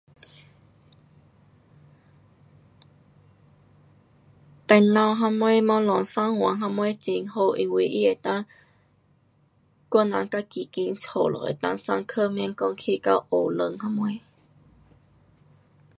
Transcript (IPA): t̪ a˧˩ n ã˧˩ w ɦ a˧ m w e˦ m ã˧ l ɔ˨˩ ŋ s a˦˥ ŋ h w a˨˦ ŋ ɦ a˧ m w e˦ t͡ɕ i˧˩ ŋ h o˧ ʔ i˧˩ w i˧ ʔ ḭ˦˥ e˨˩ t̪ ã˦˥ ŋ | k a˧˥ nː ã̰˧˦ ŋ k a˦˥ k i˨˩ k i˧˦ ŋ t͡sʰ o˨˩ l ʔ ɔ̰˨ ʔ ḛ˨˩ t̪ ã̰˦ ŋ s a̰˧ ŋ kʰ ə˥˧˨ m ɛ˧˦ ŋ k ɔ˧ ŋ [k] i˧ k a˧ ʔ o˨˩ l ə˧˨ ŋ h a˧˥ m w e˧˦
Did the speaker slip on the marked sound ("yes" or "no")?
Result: yes